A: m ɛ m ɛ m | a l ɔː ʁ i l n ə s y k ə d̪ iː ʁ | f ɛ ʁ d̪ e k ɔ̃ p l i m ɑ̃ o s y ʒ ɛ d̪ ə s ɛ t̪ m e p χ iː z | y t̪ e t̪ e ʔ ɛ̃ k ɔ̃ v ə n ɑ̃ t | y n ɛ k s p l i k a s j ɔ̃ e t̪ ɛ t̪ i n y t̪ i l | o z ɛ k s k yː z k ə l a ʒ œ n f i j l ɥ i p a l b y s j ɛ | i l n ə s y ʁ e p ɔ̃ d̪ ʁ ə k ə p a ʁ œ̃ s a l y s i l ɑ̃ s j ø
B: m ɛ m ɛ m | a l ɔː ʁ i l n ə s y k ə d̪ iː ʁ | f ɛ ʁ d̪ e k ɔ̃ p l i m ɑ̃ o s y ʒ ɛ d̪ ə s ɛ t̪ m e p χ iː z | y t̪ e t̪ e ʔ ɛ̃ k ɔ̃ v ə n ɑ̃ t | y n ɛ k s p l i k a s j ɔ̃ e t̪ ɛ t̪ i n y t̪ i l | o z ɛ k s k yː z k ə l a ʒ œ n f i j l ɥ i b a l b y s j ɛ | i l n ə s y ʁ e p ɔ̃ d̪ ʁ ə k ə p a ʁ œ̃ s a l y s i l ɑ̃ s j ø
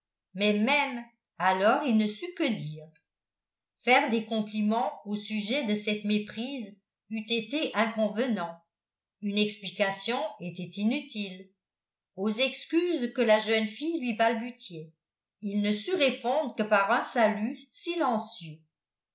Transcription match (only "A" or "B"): B